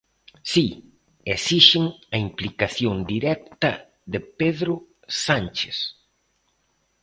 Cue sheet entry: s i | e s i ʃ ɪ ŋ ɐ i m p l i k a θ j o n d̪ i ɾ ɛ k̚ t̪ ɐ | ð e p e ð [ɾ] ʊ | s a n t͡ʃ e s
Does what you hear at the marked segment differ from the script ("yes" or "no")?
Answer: no